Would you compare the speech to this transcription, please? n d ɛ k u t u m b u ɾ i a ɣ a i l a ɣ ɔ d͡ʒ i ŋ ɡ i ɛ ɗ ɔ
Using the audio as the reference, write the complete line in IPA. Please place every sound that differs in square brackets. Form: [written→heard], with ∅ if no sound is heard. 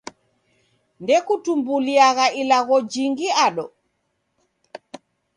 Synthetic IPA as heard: n d ɛ k u t u m b u [ɾ→l] i a ɣ a i l a ɣ ɔ d͡ʒ i ŋ ɡ i [ɛ→a] ɗ ɔ